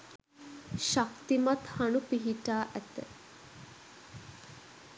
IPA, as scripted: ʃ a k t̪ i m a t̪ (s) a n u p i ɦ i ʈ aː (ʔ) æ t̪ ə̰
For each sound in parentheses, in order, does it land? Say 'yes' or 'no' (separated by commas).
no, yes